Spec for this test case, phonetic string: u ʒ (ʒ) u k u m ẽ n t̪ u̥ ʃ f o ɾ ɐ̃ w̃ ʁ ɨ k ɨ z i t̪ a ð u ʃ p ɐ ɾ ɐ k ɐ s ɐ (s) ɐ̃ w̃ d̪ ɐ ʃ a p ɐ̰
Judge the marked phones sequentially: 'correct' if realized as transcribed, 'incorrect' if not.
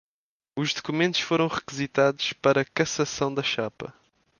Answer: incorrect, correct

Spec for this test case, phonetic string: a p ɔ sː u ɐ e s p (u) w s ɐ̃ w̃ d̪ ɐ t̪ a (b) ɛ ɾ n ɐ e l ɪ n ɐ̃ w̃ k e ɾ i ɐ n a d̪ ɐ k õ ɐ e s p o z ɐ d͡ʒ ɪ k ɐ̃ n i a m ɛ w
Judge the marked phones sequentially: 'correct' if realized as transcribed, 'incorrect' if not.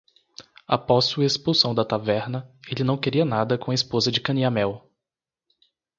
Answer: correct, incorrect

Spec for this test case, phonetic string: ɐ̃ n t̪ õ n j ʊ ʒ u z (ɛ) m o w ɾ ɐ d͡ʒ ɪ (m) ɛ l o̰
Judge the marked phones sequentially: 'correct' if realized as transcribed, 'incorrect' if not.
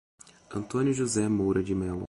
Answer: correct, correct

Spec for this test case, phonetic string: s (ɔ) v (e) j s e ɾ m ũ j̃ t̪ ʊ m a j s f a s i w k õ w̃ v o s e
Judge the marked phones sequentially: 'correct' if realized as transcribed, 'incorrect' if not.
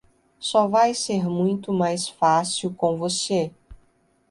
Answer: correct, incorrect

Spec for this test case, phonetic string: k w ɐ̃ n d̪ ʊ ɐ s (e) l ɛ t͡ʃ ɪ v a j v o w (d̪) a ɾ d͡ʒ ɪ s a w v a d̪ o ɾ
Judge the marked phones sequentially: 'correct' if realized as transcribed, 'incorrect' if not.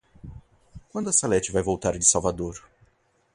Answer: incorrect, incorrect

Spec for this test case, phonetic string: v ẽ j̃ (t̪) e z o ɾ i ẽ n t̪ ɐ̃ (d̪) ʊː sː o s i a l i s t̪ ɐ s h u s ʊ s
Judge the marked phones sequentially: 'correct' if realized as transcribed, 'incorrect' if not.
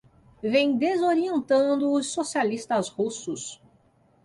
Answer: incorrect, correct

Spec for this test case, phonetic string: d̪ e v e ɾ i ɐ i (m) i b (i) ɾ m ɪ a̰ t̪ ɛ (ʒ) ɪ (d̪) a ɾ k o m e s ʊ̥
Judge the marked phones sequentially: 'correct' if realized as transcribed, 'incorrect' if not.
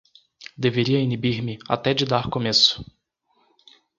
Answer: incorrect, correct, incorrect, correct

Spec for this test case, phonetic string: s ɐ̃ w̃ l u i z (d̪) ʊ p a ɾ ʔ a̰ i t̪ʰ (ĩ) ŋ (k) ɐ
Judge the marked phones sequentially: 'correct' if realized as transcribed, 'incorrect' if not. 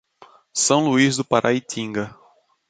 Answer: correct, correct, incorrect

